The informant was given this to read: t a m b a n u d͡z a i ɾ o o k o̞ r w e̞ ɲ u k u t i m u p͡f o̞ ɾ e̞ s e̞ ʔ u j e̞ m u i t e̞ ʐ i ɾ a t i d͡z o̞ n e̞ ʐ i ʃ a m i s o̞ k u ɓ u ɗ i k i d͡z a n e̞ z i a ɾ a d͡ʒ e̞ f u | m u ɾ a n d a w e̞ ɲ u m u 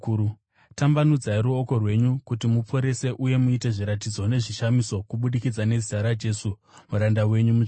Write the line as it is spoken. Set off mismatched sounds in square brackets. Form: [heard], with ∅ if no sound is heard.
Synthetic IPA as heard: t a m b a n u d͡z a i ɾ [u] o k o̞ r w e̞ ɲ u k u t i m u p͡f o̞ ɾ e̞ s e̞ ʔ u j e̞ m u i t e̞ ʐ i ɾ a t i d͡z o̞ n e̞ ʐ i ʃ a m i s o̞ k u ɓ u ɗ i k i d͡z a n e̞ z i a ɾ a d͡ʒ e̞ [s] u | m u ɾ a n d a w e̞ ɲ u m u